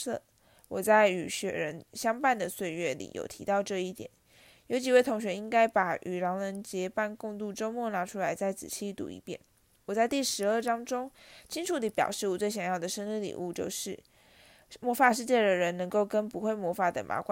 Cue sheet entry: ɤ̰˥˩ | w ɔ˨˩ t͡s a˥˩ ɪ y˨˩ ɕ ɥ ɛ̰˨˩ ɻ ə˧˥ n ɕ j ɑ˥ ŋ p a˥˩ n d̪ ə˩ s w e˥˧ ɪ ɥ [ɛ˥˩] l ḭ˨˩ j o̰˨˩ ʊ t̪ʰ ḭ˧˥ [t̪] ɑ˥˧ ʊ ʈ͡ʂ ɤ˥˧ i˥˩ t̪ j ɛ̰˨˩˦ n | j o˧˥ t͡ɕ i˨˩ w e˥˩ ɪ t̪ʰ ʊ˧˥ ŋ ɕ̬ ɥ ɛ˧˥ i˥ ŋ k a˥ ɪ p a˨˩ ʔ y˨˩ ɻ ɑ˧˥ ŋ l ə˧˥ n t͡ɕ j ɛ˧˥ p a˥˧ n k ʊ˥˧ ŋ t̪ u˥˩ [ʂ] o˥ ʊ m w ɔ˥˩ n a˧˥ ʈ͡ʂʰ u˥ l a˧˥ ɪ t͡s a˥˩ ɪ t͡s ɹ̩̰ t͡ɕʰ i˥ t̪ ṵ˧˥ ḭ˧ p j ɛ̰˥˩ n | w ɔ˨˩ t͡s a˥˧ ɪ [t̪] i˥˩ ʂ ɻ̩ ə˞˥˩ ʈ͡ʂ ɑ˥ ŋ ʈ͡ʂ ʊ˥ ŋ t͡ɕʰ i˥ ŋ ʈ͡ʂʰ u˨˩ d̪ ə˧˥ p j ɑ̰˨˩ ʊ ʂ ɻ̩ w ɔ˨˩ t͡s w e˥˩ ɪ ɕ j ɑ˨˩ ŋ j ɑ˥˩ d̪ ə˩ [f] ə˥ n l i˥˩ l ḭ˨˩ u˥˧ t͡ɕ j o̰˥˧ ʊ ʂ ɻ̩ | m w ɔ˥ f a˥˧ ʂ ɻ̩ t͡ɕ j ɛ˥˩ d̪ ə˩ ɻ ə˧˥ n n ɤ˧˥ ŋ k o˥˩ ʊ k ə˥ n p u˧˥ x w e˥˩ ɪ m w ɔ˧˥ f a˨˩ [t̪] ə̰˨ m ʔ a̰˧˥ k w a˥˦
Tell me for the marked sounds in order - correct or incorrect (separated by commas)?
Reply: correct, correct, incorrect, correct, incorrect, incorrect